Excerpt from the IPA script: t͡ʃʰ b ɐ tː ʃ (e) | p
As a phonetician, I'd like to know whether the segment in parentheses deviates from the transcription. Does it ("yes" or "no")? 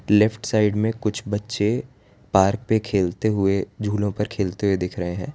no